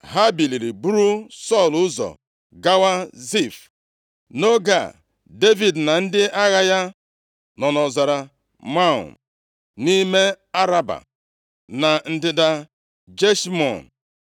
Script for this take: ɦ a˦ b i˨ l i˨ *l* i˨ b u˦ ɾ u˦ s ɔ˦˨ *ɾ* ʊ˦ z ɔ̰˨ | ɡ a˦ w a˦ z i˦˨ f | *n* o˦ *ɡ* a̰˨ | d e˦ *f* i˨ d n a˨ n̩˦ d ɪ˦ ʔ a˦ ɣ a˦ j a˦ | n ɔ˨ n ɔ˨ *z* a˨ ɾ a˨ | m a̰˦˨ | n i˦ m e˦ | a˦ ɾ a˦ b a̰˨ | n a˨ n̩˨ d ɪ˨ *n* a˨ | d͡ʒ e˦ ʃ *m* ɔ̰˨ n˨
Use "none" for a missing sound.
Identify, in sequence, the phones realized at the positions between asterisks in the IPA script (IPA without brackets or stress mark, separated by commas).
ɾ, l, n, ɡ, v, z, d, m